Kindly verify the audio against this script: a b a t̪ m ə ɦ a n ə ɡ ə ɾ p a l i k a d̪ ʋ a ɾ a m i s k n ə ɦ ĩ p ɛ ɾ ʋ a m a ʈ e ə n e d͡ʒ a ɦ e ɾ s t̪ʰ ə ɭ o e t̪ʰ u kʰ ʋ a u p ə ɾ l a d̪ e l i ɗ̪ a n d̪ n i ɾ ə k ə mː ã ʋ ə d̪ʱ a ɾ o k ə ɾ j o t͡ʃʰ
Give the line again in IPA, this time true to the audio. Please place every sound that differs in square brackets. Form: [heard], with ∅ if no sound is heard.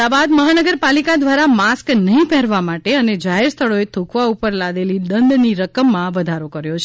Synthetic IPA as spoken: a b a [d̪] m ə ɦ a n ə ɡ ə ɾ p a l i k a d̪ ʋ a ɾ a m [a] s k n ə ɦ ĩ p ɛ ɾ ʋ a m a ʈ e ə n e d͡ʒ a ɦ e ɾ s t̪ʰ ə ɭ o e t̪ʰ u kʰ ʋ a u p ə ɾ l a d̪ e l i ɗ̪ [ə] n d̪ n i ɾ ə k ə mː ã ʋ ə d̪ʱ a ɾ o k ə ɾ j o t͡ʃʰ